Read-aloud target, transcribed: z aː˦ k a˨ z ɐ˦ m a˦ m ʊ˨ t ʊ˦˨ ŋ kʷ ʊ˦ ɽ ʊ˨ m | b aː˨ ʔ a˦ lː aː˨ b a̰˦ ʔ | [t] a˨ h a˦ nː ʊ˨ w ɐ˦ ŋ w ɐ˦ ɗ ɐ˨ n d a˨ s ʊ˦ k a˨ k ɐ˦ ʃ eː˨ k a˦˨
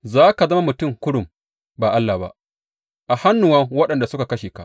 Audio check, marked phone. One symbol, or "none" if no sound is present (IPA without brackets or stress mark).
ʔ